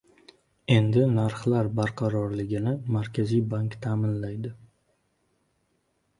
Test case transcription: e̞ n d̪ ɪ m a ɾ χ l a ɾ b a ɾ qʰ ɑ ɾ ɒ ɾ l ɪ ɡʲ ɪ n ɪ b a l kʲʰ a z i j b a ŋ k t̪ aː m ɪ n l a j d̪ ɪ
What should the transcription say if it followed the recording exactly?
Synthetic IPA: e̞ n d̪ ɪ n a ɾ χ l a ɾ b a ɾ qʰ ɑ ɾ ɒ ɾ l ɪ ɡʲ ɪ n ɪ m a ɾ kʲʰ a z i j b a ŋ k t̪ʰ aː m ɪ n l a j d̪ ɪ